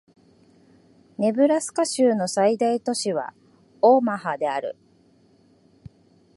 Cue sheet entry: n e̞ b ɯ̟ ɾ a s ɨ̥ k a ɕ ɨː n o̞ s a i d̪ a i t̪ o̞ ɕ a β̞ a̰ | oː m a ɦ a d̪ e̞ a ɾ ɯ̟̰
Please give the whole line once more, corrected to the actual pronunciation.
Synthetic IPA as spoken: n e̞ b ɯ̟ ɾ a s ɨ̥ k a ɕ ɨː n o̞ s a i d̪ a i t̪ o̞ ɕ i β̞ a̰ | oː m a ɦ a d̪ e̞ a ɾ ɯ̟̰

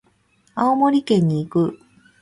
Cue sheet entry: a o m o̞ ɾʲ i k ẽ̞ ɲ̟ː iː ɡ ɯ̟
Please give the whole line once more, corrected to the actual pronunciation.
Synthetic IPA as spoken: a o m o̞ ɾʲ i k ẽ̞ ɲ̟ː iː k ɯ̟

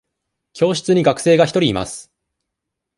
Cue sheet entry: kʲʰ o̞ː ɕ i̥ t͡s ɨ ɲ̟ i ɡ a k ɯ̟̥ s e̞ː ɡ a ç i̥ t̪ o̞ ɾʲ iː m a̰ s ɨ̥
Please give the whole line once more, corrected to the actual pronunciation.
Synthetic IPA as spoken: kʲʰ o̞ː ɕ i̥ t͡s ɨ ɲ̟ i ɡ a k ɯ̟̥ s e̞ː ɡ a ç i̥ t̪ o̞ ɾʲ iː m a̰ s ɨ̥

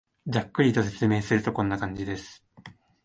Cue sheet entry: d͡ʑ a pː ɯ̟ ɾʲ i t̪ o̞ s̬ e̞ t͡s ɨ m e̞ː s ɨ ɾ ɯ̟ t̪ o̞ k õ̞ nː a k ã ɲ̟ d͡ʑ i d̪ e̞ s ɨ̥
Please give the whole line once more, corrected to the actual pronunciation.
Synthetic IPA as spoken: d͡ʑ a kː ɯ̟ ɾʲ i t̪ o̞ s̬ e̞ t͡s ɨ m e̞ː s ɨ ɾ ɯ̟ t̪ o̞ k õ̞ nː a k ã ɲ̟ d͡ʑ i d̪ e̞ s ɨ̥

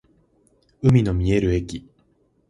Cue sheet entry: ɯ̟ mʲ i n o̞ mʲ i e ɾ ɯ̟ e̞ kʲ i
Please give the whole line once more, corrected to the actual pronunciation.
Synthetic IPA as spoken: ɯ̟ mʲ i n o̞ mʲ i e ɾ ɯ̟ e̞ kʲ i

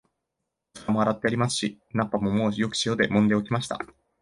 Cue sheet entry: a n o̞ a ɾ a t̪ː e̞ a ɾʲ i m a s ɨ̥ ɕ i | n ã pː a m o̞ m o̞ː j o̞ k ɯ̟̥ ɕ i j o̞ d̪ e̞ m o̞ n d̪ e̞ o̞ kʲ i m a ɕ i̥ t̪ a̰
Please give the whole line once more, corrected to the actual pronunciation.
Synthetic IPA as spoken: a m o̞ a ɾ a t̪ː e̞ a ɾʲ i m a s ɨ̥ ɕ i | n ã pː a m o̞ m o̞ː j o̞ k ɯ̟̥ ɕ i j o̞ d̪ e̞ m õ̞ n d̪ e̞ o̞ kʲ i m a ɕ i̥ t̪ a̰

